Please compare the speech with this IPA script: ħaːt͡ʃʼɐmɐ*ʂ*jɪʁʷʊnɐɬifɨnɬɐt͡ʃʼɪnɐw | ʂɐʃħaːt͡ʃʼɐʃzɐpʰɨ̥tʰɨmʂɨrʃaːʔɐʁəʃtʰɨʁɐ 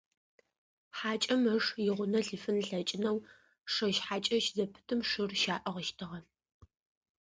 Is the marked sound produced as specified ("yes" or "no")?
yes